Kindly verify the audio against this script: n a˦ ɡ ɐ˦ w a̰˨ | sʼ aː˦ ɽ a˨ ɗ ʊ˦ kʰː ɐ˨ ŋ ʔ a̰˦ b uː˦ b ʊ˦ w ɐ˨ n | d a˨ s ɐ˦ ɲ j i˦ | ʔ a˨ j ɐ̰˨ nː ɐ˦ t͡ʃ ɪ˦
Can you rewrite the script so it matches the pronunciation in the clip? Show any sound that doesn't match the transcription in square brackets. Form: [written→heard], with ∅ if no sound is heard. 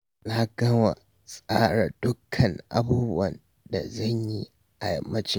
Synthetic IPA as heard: n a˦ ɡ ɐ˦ w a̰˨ | sʼ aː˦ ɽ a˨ [ɗ→d] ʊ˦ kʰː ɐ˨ ŋ ʔ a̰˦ b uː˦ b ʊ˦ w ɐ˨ n | d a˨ [s→z] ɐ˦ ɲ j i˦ | ʔ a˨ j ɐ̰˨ [nː→mː] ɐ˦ t͡ʃ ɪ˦